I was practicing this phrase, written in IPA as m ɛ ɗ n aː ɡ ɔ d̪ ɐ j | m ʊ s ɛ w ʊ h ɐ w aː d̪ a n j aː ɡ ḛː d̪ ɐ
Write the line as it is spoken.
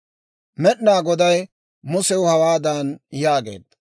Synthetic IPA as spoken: m ɛ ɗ n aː ɡ ɔ d̪ ɐ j | m ʊ s ɛ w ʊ h ɐ w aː d̪ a n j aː ɡ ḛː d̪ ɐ